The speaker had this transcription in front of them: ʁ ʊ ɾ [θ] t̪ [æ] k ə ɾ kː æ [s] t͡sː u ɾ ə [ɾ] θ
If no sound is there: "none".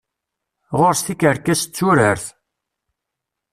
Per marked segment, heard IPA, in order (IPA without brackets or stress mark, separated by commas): s, i, s, ɾ